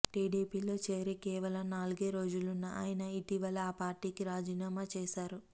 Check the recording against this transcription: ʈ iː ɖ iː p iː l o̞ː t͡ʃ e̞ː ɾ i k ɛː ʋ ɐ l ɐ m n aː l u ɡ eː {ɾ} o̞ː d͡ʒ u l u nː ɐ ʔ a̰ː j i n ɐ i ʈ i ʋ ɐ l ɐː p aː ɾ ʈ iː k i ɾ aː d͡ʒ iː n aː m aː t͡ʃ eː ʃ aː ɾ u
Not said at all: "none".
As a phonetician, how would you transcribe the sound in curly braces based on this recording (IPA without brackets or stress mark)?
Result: ɾ